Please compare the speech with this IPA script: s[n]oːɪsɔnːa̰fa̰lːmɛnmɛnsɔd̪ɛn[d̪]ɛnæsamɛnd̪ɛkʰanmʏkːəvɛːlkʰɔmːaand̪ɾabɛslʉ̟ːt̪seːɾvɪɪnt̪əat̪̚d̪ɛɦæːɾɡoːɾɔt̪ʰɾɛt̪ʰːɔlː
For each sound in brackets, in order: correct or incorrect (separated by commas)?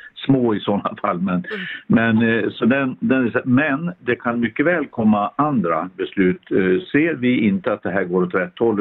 incorrect, correct